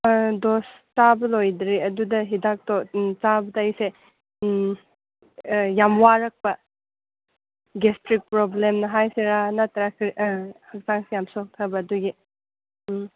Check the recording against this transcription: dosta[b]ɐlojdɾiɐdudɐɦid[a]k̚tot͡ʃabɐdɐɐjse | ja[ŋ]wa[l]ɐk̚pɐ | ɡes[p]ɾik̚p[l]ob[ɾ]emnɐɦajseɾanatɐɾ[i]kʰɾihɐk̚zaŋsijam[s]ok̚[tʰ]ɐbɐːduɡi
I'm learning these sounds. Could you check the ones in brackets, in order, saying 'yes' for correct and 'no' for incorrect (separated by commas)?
yes, yes, no, no, no, no, no, no, yes, yes